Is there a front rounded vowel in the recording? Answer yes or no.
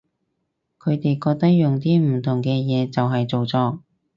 no